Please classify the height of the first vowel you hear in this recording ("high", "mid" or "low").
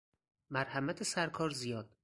low